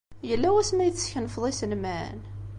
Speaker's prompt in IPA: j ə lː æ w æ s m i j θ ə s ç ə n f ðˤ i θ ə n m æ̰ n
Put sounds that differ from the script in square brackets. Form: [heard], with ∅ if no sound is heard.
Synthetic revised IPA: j ə lː æ w æ s m [æ] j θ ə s ç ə n f ðˤ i [s] ə n m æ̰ n